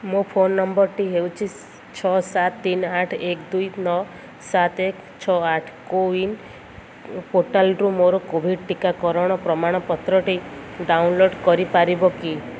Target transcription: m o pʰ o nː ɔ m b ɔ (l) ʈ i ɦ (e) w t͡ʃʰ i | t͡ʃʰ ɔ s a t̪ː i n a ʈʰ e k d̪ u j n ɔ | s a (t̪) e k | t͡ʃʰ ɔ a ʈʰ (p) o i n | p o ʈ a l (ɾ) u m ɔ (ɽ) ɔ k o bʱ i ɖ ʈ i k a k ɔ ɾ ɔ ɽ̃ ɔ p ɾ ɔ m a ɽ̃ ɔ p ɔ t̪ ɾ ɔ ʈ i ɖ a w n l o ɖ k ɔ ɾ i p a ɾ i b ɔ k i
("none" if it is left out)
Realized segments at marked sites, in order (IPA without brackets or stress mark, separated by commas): ɾ, e, t̪, k, ɾ, ɾ